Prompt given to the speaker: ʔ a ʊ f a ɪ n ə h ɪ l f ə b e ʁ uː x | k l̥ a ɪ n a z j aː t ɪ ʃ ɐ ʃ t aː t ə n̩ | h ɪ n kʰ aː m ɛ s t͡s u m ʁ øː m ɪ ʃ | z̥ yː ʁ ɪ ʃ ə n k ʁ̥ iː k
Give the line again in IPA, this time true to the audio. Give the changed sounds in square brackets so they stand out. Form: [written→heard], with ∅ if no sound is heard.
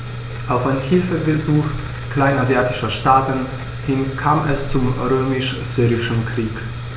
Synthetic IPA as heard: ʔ a ʊ f a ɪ n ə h ɪ l f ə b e [ʁ→z] uː x | k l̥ a ɪ n a z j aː t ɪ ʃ ɐ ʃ t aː t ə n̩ | h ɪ n kʰ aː m ɛ s t͡s u m ʁ øː m ɪ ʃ | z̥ yː ʁ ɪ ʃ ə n k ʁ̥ iː k